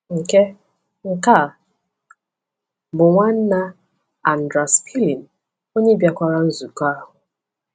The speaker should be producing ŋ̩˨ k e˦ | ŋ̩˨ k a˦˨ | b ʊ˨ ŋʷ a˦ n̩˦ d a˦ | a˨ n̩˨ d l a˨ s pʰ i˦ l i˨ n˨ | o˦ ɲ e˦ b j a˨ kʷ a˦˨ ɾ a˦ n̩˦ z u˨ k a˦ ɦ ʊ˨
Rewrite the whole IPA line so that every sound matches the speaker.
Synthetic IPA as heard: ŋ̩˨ k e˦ | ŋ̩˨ k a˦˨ | b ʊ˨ ŋʷ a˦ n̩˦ n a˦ | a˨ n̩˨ d ɾ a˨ s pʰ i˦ l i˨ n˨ | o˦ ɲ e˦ b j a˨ kʷ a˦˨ ɾ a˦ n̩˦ z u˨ k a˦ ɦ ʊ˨